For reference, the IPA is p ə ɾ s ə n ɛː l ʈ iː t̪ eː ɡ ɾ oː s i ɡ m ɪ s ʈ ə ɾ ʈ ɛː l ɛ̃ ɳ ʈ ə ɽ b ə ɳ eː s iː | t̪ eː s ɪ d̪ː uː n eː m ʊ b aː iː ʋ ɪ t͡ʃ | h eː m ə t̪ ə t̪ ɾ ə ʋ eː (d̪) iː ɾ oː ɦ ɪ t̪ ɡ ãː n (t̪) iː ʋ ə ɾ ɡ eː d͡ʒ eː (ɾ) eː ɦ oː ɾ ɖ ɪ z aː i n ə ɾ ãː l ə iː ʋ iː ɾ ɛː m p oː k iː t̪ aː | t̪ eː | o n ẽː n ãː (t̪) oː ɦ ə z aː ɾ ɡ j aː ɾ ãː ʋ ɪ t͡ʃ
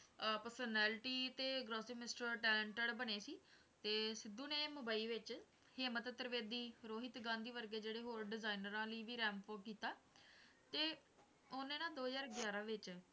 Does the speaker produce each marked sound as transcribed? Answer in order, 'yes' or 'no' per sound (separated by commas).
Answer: yes, no, no, no